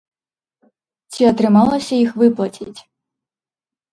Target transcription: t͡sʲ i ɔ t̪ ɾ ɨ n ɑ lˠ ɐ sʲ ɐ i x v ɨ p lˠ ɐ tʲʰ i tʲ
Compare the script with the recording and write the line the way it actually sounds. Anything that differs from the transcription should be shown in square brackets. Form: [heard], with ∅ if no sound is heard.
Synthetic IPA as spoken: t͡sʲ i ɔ t̪ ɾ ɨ [m] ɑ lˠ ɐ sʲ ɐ i x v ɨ p lˠ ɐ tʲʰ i tʲ